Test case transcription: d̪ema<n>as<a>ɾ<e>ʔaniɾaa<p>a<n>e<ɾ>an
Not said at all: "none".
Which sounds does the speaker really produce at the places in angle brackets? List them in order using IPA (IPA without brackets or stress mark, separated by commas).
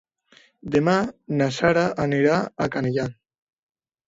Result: n, a, a, k, n, ʎ